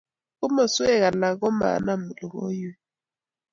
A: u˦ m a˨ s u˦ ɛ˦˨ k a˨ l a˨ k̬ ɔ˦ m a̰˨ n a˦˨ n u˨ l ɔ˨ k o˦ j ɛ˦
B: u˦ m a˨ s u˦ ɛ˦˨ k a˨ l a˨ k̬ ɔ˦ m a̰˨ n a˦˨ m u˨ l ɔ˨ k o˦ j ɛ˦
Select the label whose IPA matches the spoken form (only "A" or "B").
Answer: B